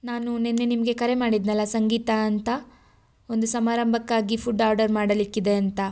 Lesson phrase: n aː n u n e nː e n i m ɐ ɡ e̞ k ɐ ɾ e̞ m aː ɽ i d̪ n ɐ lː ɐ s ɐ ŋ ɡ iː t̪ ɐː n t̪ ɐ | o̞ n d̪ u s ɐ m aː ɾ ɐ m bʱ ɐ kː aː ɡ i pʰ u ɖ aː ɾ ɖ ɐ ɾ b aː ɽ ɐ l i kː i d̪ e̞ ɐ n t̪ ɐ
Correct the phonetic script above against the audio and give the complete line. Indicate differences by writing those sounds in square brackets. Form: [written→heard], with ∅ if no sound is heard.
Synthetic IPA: n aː n u n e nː e n i m ɐ ɡ e̞ k ɐ ɾ e̞ m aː ɽ i d̪ n ɐ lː ɐ s ɐ ŋ ɡ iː t̪ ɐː n t̪ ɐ | o̞ n d̪ u s ɐ m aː ɾ ɐ m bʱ ɐ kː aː ɡ i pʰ u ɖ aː ɾ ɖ ɐ ɾ [b→m] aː ɽ ɐ l i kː i d̪ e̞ ɐ n t̪ ɐ